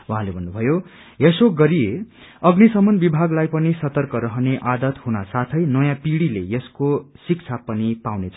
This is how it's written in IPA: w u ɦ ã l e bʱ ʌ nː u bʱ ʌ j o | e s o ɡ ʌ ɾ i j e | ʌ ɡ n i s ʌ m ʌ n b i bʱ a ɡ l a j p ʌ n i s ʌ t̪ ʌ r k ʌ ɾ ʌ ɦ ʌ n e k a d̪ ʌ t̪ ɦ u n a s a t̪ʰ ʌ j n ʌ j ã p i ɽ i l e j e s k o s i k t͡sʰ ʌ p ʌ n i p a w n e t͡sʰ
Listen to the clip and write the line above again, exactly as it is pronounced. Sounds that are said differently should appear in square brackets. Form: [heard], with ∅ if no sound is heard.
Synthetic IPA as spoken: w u ɦ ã l e bʱ ʌ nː u bʱ ʌ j o | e s o ɡ ʌ ɾ i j e | ʌ ɡ n i s ʌ m ʌ n b i bʱ a ɡ l a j p ʌ n i s ʌ t̪ ʌ r k ʌ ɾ ʌ ɦ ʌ n e [ʔ] a d̪ ʌ t̪ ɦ u n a s a t̪ʰ ʌ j n ʌ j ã p i ɽ i l e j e s k o s i k t͡sʰ [a] p ʌ n i p a w n e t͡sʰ